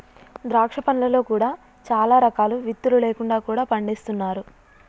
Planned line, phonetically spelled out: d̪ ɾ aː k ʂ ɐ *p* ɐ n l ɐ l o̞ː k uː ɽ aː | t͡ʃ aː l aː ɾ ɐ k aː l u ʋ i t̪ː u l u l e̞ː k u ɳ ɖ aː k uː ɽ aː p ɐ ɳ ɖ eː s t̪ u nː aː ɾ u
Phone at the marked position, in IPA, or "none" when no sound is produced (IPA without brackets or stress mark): p